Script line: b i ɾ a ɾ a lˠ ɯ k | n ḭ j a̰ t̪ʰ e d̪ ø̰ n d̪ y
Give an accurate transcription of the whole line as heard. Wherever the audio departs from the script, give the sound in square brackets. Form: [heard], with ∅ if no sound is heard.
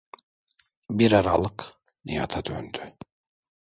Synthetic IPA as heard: b i ɾ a ɾ a lˠ ɯ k | n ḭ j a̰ t̪ʰ [a] d̪ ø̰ n d̪ y